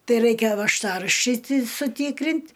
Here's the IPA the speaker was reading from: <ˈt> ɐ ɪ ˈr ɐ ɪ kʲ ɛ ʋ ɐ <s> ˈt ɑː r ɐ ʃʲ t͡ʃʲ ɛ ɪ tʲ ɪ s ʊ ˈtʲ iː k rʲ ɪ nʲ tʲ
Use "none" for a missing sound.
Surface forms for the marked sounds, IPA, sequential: t, ʃ

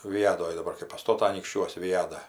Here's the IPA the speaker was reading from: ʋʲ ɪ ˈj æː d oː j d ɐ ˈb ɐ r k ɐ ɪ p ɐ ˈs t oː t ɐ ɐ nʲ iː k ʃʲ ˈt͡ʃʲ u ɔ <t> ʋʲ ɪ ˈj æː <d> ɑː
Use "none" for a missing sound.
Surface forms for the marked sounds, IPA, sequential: s, d

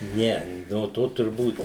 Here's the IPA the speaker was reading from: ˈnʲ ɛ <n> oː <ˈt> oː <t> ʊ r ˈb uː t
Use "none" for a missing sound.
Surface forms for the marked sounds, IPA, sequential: n, t, t

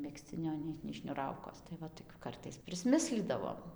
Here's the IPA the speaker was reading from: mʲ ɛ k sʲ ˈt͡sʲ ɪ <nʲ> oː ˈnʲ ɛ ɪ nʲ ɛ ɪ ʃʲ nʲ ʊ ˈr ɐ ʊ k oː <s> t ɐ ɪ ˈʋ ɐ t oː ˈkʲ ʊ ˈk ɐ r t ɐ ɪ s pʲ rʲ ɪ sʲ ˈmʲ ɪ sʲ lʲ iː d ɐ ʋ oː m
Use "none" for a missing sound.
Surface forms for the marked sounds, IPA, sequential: nʲ, s

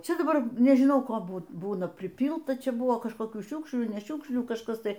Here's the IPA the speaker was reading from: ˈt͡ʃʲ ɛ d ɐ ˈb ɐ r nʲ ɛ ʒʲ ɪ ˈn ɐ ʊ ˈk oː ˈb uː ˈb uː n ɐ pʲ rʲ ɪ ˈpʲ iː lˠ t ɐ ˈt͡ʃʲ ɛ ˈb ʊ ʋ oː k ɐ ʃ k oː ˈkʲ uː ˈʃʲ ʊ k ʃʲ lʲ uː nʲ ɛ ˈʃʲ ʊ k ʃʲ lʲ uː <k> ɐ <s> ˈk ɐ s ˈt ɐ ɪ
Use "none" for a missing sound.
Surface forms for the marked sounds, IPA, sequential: k, ʃ

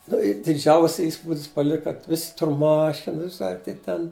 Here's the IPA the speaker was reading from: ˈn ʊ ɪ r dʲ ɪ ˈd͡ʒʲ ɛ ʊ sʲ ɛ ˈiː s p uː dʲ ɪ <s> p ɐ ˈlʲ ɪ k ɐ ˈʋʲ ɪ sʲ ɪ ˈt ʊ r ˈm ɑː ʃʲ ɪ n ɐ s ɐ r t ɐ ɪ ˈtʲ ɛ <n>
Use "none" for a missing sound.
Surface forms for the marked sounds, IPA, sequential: s, n

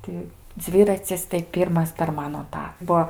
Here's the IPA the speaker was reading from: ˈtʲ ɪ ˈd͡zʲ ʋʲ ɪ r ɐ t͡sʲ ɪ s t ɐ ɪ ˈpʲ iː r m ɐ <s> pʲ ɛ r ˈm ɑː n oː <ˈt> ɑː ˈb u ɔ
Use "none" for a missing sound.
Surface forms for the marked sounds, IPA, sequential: s, t

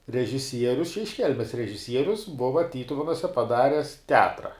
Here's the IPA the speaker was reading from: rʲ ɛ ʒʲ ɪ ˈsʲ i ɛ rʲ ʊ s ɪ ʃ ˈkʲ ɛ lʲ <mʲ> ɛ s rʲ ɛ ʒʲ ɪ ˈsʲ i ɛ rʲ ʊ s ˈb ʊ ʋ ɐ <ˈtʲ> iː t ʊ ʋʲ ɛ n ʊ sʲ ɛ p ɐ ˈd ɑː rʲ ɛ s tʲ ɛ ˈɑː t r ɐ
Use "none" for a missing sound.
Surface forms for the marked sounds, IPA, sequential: mʲ, tʲ

